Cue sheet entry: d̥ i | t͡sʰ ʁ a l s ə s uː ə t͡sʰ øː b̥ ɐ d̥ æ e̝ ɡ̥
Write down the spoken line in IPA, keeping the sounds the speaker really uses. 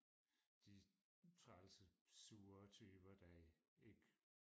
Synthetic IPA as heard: d̥ i | t͡sʰ ʁ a l s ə s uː ɐ t͡sʰ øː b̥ ɐ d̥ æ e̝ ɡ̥

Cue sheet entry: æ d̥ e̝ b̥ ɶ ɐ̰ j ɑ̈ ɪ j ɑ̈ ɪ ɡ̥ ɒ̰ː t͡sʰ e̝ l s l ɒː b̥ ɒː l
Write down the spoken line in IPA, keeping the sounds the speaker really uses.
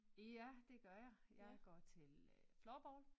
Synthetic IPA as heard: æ d̥ e̝ ɡ̥ ɶ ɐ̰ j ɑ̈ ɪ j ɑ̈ ɪ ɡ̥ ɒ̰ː t͡sʰ e̝ l f l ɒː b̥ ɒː l

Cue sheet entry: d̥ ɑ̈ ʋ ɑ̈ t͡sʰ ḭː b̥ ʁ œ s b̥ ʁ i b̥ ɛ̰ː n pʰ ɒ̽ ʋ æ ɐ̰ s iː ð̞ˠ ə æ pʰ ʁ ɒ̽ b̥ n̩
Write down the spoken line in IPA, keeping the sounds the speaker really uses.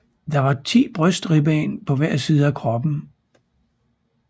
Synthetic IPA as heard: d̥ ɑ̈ ʋ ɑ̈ t͡sʰ ḭː b̥ ʁ œ s d̥ ʁ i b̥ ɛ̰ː n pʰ ɒ̽ ʋ æ ɐ̰ s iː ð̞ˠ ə æ kʰ ʁ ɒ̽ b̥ n̩

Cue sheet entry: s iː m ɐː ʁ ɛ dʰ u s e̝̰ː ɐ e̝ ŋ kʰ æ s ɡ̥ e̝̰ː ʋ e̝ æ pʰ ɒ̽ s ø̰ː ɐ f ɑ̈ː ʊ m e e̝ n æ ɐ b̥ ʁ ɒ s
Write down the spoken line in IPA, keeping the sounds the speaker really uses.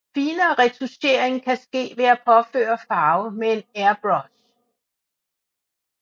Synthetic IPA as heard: f iː n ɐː ʁ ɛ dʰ u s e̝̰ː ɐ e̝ ŋ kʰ æ s ɡ̥ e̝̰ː ʋ e̝ æ pʰ ɒ̽ f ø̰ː ɐ f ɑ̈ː ʊ m e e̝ n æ ɐ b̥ ʁ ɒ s

